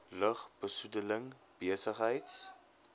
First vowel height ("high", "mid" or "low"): mid